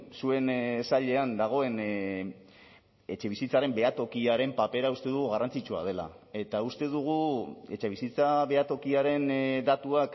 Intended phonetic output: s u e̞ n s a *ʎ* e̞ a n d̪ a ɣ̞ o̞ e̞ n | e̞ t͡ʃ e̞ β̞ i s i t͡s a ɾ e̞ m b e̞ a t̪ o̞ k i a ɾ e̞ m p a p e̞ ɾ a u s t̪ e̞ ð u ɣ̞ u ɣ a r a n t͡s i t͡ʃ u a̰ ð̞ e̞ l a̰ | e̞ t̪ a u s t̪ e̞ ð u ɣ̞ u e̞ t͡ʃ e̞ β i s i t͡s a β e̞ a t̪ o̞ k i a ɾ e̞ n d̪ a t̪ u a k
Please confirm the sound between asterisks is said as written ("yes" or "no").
yes